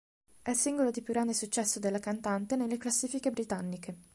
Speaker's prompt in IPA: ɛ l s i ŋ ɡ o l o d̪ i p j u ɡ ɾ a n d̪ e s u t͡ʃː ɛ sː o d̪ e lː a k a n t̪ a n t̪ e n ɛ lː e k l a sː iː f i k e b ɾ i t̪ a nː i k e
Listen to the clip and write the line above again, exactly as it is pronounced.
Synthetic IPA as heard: ɛ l s i ŋ ɡ o l o d̪ i p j u ɡ ɾ a n d̪ e s u t͡ʃː ɛ sː o d̪ e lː a k a n t̪ a n t̪ e n e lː e k l a sː iː f i k e b ɾ i t̪ a nː i k e